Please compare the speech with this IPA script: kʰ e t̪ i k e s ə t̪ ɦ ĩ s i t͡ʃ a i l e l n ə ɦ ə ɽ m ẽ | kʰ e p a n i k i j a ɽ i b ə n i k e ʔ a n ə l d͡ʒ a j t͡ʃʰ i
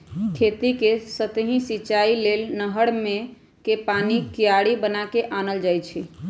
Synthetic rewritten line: kʰ e t̪ i k e s ə t̪ ɦ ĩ s i t͡ʃ a i l e l n ə ɦ ə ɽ m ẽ | k e p a n i k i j a ɽ i b ə n a k e ʔ a n ə l d͡ʒ a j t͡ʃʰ i